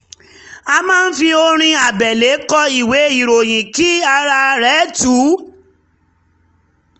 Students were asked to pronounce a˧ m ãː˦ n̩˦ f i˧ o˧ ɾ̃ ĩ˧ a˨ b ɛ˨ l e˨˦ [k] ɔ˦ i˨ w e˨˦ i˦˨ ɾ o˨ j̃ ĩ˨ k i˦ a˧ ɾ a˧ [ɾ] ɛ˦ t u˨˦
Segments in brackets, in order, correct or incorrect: correct, correct

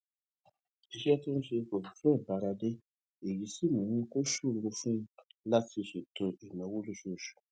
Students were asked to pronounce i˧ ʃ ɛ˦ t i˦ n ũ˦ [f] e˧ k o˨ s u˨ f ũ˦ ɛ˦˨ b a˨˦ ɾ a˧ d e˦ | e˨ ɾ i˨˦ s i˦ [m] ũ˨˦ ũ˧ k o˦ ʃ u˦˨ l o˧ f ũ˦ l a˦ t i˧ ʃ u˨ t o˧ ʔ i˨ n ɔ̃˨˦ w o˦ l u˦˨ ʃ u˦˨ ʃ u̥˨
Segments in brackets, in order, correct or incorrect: incorrect, correct

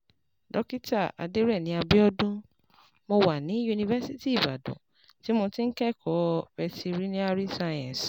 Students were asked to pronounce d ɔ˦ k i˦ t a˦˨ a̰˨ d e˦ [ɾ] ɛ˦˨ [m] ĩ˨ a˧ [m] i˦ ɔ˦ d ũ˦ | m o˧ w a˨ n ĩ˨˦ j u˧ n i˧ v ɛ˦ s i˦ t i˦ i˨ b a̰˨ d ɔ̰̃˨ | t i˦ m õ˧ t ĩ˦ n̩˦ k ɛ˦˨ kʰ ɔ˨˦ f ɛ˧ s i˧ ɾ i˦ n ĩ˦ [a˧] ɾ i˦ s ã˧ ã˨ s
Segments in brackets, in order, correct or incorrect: correct, incorrect, incorrect, correct

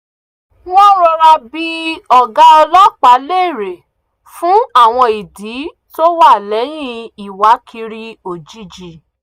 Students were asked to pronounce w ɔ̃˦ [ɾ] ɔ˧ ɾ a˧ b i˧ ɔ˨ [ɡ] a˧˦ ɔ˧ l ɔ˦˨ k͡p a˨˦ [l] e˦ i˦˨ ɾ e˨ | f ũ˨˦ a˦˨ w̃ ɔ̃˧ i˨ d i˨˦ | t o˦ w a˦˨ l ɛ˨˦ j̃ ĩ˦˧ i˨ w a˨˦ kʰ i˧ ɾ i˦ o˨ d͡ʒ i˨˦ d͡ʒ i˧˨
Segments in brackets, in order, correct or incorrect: correct, correct, correct

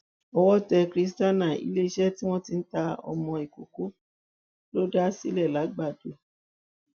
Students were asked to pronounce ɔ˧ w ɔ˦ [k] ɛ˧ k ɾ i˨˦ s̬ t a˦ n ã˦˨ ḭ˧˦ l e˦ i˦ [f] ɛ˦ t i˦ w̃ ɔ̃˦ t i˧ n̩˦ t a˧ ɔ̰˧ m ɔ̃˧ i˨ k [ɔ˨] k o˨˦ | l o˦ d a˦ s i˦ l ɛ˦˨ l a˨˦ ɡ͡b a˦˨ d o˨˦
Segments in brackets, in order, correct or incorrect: incorrect, incorrect, incorrect

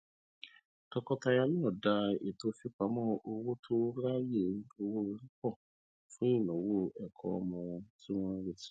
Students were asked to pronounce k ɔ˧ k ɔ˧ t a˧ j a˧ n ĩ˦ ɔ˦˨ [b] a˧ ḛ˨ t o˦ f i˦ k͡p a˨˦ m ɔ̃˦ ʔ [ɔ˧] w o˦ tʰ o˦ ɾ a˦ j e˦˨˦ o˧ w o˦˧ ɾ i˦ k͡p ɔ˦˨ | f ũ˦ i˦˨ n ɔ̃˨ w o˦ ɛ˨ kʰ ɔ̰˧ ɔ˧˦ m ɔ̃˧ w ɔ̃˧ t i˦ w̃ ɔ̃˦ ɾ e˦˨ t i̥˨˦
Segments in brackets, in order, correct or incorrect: incorrect, incorrect

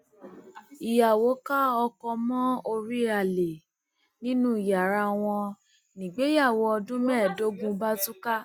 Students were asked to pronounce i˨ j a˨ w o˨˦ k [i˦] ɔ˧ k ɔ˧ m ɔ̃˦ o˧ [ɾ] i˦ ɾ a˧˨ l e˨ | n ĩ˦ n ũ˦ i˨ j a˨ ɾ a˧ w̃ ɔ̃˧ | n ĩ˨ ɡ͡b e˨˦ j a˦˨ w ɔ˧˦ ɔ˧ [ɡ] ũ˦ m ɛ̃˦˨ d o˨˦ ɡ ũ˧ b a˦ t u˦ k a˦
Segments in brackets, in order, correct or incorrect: incorrect, correct, incorrect

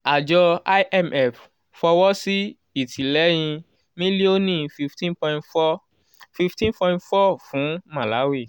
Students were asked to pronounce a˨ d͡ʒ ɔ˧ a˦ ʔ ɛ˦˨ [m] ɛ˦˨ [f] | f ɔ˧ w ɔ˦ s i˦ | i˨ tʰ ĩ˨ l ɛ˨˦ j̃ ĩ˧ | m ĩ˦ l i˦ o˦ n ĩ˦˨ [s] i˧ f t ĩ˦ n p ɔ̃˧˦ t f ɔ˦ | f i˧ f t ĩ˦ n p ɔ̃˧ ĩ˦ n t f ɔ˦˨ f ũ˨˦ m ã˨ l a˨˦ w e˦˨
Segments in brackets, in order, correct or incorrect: correct, correct, incorrect

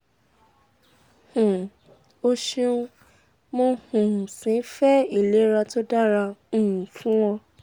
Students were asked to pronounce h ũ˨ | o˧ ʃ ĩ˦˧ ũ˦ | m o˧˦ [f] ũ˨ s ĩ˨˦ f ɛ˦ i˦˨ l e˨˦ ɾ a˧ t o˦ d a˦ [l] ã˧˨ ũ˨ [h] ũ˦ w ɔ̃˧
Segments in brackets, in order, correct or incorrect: incorrect, incorrect, incorrect

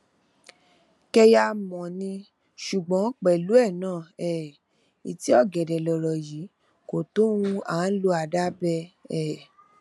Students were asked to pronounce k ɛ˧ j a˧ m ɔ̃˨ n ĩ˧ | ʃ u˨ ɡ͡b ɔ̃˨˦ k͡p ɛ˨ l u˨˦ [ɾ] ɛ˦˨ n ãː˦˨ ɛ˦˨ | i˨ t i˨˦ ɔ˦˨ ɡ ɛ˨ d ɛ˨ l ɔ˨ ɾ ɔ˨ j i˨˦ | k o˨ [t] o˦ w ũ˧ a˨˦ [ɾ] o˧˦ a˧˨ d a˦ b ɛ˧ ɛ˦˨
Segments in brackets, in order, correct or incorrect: incorrect, correct, incorrect

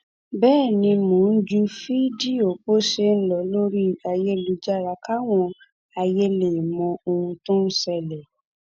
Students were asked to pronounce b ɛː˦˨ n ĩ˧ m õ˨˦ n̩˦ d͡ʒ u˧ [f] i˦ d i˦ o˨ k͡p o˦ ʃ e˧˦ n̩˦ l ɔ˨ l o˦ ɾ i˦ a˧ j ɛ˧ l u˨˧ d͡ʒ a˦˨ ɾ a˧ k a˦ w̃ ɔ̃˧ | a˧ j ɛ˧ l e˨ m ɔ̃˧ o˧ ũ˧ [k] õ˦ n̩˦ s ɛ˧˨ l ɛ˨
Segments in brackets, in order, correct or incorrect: correct, incorrect

